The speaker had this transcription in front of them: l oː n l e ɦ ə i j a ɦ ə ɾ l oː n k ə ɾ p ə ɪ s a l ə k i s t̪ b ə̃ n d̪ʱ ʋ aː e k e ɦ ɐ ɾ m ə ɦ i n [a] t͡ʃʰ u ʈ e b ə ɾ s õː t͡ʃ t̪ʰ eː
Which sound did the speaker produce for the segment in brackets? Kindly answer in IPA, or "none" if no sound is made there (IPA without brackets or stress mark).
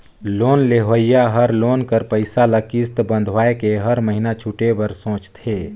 a